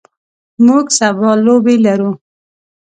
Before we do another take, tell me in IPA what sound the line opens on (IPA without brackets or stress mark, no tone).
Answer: m